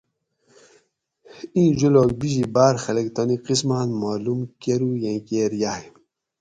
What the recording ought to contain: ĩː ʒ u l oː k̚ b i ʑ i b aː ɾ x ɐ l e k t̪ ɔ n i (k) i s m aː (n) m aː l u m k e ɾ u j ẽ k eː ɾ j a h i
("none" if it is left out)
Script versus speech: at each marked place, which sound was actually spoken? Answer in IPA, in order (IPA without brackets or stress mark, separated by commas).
q, n